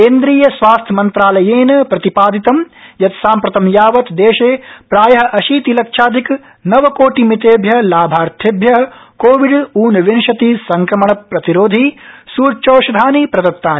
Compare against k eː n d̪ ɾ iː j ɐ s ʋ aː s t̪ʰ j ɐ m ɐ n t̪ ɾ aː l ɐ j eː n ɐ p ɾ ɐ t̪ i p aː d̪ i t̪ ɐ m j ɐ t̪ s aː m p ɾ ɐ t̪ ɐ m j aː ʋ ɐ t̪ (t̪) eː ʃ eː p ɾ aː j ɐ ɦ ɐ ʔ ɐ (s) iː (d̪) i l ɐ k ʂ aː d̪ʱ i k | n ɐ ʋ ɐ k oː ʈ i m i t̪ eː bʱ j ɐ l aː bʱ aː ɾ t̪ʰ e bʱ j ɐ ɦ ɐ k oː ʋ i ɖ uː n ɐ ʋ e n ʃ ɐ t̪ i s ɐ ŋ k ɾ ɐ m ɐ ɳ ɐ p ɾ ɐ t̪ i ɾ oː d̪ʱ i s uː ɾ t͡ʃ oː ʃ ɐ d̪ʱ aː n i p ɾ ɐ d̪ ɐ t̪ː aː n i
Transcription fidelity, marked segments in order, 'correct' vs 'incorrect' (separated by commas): incorrect, incorrect, incorrect